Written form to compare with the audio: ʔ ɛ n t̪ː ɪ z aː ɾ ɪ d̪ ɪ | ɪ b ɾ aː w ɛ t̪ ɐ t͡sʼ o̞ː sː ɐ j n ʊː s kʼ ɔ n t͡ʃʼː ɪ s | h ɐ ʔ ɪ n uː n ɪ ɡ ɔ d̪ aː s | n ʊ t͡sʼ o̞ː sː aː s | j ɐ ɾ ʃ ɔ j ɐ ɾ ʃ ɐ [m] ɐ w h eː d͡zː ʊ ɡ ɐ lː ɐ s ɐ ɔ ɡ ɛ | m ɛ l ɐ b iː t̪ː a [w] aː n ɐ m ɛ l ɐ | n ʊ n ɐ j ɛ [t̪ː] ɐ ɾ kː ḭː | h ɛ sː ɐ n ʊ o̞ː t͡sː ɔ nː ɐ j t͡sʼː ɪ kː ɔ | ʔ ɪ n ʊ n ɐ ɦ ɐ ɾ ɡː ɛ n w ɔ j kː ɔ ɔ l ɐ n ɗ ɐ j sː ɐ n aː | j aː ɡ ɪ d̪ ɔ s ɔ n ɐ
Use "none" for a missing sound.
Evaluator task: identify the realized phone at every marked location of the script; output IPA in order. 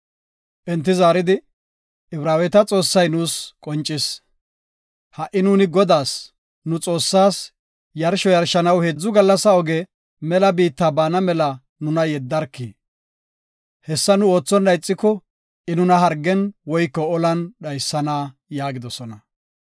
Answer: n, b, d̪ː

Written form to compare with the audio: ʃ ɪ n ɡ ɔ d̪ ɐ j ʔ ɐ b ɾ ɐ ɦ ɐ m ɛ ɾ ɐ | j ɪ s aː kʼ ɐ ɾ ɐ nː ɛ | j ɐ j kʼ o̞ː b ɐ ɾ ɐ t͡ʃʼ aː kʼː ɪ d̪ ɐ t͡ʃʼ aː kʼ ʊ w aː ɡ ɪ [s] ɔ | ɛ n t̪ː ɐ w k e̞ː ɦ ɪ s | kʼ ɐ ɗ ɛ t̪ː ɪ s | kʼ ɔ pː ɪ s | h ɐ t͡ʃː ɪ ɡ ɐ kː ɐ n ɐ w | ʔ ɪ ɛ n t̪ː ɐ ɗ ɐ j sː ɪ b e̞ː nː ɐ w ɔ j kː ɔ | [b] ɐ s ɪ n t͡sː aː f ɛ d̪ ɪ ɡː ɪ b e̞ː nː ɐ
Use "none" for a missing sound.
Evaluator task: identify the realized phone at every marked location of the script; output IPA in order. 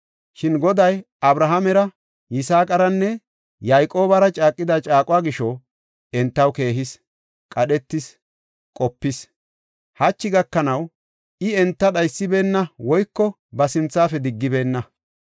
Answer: ʃ, b

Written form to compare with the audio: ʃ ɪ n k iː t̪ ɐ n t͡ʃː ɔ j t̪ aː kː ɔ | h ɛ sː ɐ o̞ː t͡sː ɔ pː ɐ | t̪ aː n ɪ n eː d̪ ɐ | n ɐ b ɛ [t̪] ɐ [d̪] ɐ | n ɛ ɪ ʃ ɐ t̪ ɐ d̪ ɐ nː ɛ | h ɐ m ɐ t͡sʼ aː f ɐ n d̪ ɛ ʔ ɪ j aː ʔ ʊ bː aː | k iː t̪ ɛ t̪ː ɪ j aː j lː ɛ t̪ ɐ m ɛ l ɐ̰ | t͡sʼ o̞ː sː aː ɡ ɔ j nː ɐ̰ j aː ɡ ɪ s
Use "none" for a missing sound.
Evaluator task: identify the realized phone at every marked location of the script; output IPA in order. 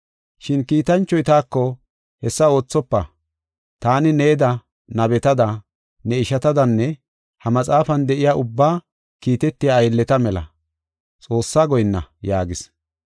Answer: t̪, d̪

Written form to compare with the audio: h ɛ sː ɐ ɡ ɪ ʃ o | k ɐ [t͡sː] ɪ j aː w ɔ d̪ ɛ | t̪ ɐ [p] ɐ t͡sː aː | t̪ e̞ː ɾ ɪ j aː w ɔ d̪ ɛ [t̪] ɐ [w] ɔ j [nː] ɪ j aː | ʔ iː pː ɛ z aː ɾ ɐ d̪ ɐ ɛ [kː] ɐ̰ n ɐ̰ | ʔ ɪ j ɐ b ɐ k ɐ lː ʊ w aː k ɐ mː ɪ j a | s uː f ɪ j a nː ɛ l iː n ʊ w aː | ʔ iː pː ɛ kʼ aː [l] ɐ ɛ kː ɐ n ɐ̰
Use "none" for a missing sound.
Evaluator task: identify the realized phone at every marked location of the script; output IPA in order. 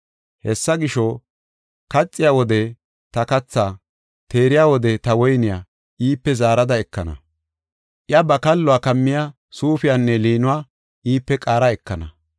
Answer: t͡sʼː, k, t̪, w, n, kː, ɾ

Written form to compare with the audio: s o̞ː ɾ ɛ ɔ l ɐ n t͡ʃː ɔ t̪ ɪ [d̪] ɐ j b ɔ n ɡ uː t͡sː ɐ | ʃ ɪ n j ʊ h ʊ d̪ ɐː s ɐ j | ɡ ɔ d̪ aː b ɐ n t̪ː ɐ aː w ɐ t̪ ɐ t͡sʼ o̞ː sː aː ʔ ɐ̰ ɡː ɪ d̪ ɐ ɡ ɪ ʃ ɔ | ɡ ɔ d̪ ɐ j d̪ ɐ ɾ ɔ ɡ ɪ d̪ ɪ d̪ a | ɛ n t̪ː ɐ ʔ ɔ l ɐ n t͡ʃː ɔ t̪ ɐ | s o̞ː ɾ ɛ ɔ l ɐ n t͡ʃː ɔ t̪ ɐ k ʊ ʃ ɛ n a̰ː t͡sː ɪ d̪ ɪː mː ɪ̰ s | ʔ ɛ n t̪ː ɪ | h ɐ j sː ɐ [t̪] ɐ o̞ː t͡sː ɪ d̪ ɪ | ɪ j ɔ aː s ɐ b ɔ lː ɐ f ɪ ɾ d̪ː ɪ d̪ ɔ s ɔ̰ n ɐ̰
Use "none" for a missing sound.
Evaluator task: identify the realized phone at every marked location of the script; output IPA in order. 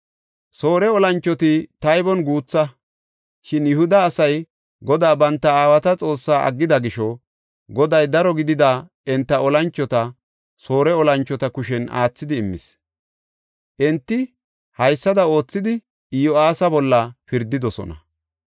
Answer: t̪, d̪

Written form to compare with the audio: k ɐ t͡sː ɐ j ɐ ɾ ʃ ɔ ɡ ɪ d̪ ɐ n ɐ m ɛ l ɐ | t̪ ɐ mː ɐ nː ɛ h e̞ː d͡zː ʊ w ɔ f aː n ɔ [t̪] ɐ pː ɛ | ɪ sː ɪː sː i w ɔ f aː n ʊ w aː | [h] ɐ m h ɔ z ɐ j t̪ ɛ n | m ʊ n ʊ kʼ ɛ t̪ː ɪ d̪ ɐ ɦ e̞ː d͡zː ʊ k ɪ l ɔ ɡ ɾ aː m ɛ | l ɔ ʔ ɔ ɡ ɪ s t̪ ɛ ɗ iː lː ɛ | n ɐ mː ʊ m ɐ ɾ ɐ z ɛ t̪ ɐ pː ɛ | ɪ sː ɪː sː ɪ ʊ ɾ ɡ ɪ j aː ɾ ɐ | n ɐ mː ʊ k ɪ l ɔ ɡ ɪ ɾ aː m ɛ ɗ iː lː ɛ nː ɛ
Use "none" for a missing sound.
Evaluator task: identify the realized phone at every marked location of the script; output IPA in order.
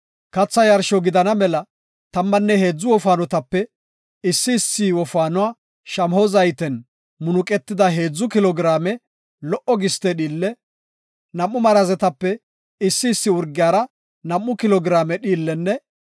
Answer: t̪, ʃ

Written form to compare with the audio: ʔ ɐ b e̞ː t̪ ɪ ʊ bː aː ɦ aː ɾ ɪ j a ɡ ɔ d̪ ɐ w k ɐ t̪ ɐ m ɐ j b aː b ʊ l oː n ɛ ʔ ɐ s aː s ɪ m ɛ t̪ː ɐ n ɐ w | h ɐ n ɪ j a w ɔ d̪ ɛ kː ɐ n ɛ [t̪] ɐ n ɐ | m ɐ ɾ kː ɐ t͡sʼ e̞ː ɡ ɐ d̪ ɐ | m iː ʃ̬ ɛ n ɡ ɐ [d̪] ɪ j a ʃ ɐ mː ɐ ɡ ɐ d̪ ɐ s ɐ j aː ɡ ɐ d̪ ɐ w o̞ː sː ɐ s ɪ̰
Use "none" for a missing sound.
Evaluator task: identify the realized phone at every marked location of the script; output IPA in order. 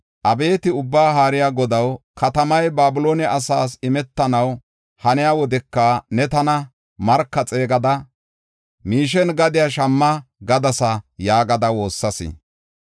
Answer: t̪, d̪

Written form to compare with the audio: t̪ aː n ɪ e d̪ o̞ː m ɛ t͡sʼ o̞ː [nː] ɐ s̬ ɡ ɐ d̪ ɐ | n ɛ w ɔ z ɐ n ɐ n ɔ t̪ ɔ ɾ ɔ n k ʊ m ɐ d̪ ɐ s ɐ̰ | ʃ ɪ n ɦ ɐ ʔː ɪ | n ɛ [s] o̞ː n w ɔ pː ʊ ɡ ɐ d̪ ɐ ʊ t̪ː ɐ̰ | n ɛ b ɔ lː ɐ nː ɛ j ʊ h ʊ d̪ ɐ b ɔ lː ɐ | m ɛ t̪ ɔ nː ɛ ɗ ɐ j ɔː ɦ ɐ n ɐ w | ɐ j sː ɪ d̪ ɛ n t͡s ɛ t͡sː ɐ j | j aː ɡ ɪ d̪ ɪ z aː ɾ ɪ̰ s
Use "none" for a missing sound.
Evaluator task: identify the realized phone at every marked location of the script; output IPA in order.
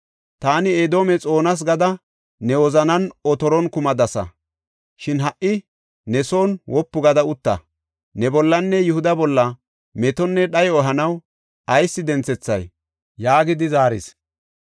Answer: n, s

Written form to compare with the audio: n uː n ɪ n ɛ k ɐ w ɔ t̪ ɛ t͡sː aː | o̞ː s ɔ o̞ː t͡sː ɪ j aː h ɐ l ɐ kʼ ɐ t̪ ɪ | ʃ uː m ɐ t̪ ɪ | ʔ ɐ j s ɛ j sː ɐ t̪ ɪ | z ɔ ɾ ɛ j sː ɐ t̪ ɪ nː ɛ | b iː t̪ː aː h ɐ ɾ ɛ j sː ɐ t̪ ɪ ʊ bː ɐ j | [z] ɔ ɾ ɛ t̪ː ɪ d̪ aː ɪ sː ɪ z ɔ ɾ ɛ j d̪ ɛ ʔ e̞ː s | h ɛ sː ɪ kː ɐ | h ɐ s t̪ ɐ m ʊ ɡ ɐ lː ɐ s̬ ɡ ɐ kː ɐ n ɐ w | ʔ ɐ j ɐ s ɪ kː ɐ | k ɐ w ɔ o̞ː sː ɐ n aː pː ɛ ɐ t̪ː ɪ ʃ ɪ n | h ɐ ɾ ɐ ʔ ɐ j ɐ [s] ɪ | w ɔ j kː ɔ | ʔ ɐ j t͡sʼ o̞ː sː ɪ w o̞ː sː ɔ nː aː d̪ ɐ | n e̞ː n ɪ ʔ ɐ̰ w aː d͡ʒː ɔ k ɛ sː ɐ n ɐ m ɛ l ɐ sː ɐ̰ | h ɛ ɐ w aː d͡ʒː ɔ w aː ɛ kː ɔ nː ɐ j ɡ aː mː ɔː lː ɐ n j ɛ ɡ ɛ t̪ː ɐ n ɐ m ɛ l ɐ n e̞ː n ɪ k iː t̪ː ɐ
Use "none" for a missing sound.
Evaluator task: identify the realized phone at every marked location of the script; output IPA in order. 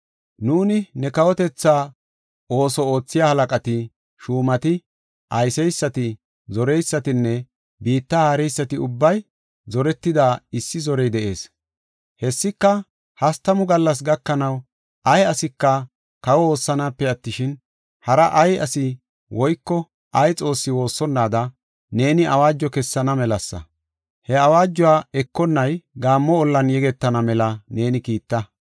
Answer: z, s

